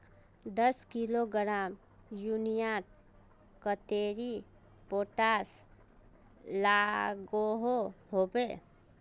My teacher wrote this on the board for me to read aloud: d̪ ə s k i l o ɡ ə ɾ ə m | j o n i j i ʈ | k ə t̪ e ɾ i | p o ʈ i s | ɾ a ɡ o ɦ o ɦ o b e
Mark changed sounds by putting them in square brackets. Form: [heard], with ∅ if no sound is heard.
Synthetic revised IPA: d̪ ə s k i l o ɡ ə ɾ [a] m | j [u] n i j [a] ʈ | k ə t̪ e ɾ i | p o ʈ [a] s | [l] a ɡ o ɦ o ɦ o b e

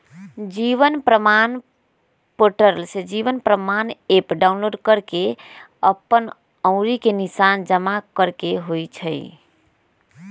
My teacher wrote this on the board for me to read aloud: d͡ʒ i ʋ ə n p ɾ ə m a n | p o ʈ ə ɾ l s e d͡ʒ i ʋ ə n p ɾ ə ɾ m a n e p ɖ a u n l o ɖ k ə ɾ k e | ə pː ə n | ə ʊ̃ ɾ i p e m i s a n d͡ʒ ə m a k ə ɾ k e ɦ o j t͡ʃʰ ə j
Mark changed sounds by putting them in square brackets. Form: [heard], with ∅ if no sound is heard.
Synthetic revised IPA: d͡ʒ i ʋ ə n p ɾ ə m a n | p o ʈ ə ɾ l s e d͡ʒ i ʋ ə n p ɾ ə [∅] m a n e p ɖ a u n l o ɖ k ə ɾ k e | ə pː ə n | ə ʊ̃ ɾ i [k] e [n] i s a n d͡ʒ ə m a k ə ɾ k e ɦ o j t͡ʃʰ ə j

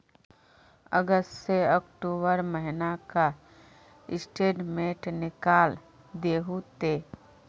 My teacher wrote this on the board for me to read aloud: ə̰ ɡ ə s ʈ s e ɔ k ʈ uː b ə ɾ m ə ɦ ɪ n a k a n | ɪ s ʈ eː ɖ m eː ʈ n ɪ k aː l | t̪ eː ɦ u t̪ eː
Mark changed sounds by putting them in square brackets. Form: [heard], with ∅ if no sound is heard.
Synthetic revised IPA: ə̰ ɡ ə s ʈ s e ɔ k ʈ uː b ə ɾ m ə ɦ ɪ n a k a [∅] | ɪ s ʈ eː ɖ m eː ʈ n ɪ k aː l | [d̪] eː ɦ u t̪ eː

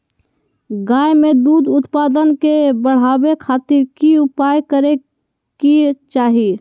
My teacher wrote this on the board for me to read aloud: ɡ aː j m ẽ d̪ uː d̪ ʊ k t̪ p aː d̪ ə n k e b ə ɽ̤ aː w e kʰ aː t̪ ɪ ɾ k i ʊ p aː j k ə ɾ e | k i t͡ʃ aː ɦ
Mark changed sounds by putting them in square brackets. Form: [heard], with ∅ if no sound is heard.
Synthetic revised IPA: ɡ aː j m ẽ d̪ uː d̪ ʊ [∅] t̪ p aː d̪ ə n k e b ə ɽ̤ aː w e kʰ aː t̪ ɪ ɾ k i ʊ p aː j k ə ɾ e | k i t͡ʃ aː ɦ

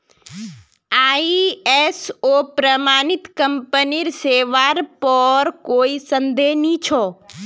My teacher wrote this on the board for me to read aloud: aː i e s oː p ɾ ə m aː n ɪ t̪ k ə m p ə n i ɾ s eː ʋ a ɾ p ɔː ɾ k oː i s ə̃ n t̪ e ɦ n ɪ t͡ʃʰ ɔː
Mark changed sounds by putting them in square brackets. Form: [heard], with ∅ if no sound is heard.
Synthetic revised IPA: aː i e s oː p ɾ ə m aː n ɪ t̪ k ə m p ə n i ɾ s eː ʋ a ɾ p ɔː ɾ k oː i s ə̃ n [d̪] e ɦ n [i] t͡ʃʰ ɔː

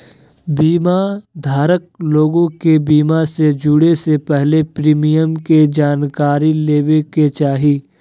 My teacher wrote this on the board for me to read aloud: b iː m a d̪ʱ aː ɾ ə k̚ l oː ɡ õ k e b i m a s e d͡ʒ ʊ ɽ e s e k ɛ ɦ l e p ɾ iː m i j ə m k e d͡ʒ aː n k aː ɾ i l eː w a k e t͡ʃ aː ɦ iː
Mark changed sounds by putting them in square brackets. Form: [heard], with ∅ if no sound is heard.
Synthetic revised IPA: b iː m a d̪ʱ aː ɾ ə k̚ l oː ɡ õ k e b [iː] m a s e d͡ʒ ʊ ɽ e s e [p] ɛ ɦ l e p ɾ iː m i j ə m k e d͡ʒ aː n k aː ɾ i l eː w [e] k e t͡ʃ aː ɦ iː

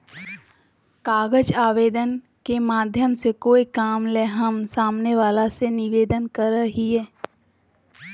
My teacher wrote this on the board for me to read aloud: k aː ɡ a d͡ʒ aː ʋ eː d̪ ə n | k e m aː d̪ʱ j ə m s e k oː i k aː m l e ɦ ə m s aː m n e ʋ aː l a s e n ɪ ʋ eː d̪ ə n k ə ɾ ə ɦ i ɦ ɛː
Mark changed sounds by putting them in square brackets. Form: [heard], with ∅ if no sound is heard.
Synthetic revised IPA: k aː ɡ [ə] d͡ʒ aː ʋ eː d̪ ə n | k e m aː d̪ʱ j ə m s e k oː i k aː m l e ɦ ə m s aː m n e ʋ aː l a s e n ɪ ʋ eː d̪ ə n k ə ɾ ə ɦ i ɦ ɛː

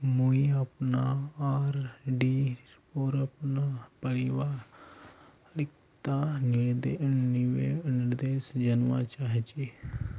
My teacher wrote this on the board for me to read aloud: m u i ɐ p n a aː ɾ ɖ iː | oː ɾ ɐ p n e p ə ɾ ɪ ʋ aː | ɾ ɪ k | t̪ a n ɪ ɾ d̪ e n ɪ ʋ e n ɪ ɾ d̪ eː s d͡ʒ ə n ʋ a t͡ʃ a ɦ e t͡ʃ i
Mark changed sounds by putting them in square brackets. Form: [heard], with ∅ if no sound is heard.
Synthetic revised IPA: m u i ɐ p n a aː ɾ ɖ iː | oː ɾ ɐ p n [a] p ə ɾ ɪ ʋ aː | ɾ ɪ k | t̪ a n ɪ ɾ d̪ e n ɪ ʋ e n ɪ ɾ d̪ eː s d͡ʒ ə n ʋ a t͡ʃ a ɦ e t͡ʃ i

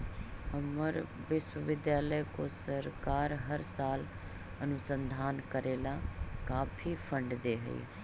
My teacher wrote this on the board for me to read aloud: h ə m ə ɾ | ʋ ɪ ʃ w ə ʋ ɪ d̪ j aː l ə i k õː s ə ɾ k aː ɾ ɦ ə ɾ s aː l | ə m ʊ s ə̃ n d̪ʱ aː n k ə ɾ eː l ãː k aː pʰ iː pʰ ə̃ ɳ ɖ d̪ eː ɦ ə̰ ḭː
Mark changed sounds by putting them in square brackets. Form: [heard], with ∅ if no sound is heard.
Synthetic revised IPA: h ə m ə ɾ | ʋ ɪ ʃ w ə ʋ ɪ d̪ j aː l ə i k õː s ə ɾ k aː ɾ ɦ ə ɾ s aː l | ə [n] ʊ s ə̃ n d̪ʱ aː n k ə ɾ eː l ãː k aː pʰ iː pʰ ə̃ ɳ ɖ d̪ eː ɦ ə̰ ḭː

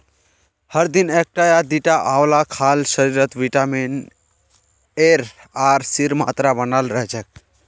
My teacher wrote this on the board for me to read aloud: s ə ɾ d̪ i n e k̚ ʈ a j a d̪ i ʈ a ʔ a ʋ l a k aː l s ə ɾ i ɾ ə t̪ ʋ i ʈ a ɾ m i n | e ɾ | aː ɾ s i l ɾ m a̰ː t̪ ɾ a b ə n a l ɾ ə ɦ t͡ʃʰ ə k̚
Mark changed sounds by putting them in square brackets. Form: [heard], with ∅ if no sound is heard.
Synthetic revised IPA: [h] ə ɾ d̪ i n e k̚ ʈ a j a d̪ i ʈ a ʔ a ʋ l a [kʰ] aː l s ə ɾ i ɾ ə t̪ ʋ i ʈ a [∅] m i n | e ɾ | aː ɾ s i [∅] ɾ m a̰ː t̪ ɾ a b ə n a l ɾ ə ɦ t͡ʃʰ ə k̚

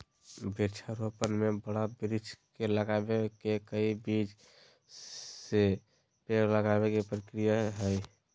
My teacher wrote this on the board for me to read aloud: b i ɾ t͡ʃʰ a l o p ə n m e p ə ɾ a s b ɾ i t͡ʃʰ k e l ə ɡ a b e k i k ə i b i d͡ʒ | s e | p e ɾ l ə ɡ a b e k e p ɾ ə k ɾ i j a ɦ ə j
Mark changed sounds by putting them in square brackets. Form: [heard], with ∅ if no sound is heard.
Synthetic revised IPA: b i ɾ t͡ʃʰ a [ɾ] o p ə n m e [b] ə [ɽ] a [∅] b ɾ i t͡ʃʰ k e l ə ɡ a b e k [e] k ə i b i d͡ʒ | s e | p e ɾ l ə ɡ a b e k e p ɾ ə k ɾ i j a ɦ ə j

